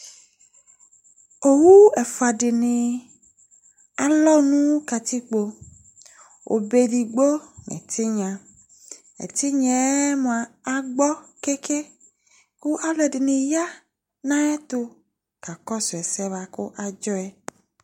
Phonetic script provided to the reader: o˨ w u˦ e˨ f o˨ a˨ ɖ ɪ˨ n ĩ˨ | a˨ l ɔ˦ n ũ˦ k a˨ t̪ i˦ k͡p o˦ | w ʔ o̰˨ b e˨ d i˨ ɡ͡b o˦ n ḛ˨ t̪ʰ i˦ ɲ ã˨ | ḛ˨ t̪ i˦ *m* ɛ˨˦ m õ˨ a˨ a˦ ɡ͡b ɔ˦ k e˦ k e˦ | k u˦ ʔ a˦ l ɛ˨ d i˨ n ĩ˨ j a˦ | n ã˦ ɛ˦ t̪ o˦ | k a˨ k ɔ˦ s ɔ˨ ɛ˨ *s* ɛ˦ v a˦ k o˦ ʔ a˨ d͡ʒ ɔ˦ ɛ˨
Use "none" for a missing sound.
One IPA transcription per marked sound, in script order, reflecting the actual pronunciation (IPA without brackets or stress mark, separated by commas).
ɲ, s